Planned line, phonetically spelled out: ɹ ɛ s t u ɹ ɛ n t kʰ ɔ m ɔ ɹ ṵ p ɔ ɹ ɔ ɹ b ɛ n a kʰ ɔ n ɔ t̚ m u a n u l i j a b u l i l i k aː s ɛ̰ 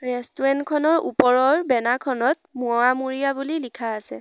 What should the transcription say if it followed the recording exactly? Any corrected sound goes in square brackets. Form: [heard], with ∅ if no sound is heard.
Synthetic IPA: ɹ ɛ s t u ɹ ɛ n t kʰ ɔ [n] ɔ ɹ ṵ p ɔ ɹ ɔ ɹ b ɛ n a kʰ ɔ n ɔ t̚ m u a [m] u [ɹ] i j a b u l i l i [kʰ] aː s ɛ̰